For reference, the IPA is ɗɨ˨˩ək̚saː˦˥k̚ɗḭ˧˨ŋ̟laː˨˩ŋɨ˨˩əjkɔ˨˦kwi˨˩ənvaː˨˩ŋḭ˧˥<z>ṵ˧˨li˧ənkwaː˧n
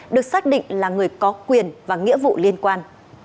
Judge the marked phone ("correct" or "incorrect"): incorrect